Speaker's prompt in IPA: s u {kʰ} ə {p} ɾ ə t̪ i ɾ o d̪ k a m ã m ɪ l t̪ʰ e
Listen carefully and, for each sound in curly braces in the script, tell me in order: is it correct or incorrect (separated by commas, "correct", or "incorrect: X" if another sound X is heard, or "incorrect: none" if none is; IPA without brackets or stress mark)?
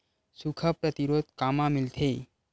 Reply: correct, correct